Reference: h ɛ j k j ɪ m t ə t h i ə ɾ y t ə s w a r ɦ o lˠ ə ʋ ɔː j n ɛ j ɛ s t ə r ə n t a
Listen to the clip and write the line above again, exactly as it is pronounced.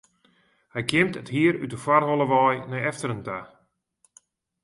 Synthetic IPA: h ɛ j k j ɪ m t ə t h i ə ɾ y t ə f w a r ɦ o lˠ ə ʋ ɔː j n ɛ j ɛ f t ə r ə n t a